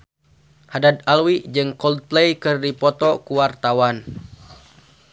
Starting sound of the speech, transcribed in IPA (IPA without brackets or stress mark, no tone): h